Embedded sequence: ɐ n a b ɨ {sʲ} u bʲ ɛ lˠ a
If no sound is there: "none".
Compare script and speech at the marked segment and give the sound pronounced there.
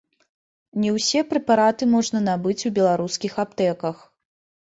t͡sʲ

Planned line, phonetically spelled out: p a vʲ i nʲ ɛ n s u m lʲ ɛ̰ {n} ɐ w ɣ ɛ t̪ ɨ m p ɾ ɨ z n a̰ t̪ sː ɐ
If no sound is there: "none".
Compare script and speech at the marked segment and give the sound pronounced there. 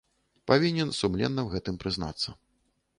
nː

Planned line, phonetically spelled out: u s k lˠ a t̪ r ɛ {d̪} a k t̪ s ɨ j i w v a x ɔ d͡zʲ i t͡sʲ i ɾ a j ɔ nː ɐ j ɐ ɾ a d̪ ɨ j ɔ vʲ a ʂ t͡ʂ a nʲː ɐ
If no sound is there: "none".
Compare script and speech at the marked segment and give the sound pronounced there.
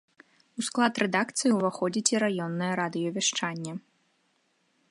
d̪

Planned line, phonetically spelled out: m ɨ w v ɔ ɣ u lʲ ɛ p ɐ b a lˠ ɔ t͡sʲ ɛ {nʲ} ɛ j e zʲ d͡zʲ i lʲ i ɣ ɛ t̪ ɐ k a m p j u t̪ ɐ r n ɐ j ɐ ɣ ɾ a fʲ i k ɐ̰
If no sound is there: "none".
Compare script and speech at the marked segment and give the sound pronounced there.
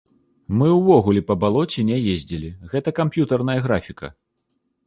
nʲ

